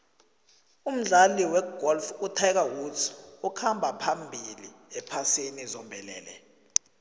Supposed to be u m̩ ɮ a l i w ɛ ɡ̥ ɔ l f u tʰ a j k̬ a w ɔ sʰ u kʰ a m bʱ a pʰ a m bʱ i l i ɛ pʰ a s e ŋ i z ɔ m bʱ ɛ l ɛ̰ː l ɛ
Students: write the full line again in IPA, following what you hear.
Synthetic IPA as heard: u m̩ ɮ a l i w ɛ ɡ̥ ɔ l f u tʰ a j k̬ a w u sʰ u kʰ a m bʱ a pʰ a m bʱ i l i ɛ pʰ a s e n i z ɔ m bʱ ɛ l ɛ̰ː l ɛ

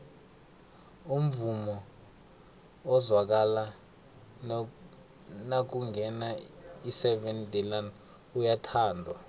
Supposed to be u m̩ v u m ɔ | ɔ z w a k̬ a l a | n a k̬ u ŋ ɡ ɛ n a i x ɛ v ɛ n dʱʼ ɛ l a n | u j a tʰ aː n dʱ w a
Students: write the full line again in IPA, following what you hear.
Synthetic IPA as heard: u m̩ v u m ɔ | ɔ z w a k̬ a l a | n a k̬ u ŋ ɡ ɛ n a i s ɛ v ɛ n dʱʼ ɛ l a n | u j a tʰ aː n dʱ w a

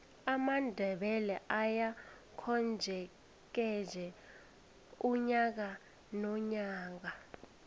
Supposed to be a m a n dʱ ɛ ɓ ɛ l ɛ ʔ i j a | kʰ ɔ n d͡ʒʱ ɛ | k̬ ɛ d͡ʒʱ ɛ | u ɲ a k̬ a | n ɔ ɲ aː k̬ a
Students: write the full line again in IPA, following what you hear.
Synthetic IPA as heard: a m a n dʱ ɛ ɓ ɛ l ɛ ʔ a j a | kʰ ɔ n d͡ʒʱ ɛ | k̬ ɛ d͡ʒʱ ɛ | u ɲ a k̬ a | n ɔ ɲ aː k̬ a

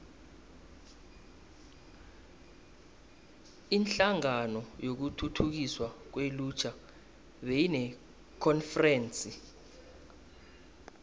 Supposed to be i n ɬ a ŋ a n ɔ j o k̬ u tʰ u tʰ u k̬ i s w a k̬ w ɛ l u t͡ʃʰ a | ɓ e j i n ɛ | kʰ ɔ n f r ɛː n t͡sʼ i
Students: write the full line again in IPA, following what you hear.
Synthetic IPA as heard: i n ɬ a ŋ a n ɔ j o k̬ u tʰ u tʰ u k̬ i s w a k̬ w e l u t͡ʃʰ a | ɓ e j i n ɛ | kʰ ɔ n f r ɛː n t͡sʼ i

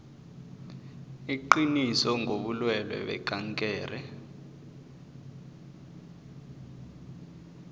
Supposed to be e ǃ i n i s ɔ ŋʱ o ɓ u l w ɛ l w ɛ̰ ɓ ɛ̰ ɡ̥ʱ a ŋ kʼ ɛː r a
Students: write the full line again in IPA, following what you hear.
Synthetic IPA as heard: i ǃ i n i s ɔ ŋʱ o ɓ u l w ɛ l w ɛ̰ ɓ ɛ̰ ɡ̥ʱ a ŋ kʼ ɛː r ɛ

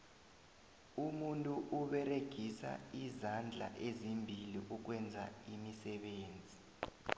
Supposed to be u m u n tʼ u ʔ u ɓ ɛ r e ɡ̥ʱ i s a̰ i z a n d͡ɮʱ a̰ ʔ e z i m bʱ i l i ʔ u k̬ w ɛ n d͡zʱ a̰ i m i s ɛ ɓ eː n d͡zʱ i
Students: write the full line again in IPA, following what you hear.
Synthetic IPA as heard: u m u n tʼ u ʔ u ɓ ɛ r e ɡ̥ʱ i s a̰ i z a n d͡ɮʱ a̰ ʔ e z i m bʱ i l i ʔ u k̬ w ɛ n d͡zʱ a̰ i m i s ɛ ɓ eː n d͡zʱ i

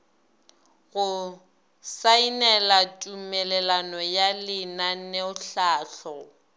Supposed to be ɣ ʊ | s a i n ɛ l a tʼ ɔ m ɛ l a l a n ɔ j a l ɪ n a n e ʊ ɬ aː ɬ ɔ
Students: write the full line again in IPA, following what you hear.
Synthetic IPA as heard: ɣ ʊ | s a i n ɛ l a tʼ u m ɛ l ɛ l a n ɔ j a l ɪ n a n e ʊ ɬ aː ɬ ɔ

